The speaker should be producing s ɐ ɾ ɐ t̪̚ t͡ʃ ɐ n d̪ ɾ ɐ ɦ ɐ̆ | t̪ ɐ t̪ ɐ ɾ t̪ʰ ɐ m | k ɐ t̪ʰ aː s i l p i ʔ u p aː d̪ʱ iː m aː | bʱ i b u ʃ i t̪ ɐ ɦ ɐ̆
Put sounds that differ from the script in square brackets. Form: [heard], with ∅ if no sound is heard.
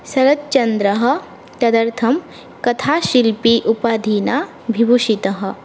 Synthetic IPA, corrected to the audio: s ɐ ɾ ɐ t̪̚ t͡ʃ ɐ n d̪ ɾ ɐ ɦ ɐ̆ | t̪ ɐ [d̪] ɐ ɾ t̪ʰ ɐ m | k ɐ t̪ʰ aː [ʃ] i l p i ʔ u p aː d̪ʱ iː [n] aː | bʱ i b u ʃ i t̪ ɐ ɦ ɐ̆